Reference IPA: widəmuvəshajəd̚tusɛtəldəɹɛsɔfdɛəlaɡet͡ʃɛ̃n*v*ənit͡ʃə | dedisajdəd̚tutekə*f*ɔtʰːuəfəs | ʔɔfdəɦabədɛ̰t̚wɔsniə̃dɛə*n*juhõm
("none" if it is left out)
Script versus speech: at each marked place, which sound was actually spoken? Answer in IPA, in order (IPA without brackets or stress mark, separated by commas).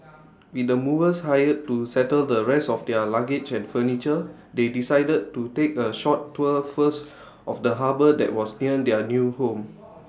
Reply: f, ʃ, n